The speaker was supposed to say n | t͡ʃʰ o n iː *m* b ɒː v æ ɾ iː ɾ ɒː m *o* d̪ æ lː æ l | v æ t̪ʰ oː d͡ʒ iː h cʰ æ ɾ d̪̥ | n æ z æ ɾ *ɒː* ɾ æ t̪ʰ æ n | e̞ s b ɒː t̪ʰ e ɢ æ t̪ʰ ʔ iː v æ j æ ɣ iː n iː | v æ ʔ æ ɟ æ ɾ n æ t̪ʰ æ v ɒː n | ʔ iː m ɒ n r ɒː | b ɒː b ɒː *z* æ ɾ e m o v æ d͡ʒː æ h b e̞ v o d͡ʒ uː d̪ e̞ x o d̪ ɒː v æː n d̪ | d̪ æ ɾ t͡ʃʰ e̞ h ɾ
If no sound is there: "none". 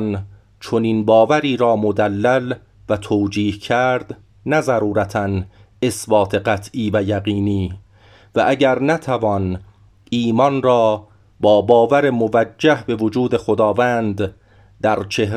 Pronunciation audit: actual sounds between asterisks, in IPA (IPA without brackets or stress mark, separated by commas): n, o, uː, v